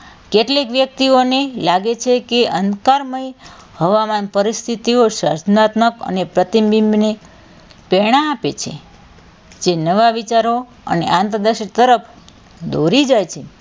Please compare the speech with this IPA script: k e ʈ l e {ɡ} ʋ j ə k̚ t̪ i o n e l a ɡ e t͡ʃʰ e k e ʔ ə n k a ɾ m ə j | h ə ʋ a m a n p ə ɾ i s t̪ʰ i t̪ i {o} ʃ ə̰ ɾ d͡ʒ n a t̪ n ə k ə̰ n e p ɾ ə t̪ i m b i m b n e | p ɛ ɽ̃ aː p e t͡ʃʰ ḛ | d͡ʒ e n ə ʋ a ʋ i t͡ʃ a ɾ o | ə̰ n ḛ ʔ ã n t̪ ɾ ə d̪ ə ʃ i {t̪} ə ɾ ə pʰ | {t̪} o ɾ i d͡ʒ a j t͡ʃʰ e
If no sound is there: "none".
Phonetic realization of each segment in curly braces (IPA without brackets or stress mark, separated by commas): k, o, t̪, d̪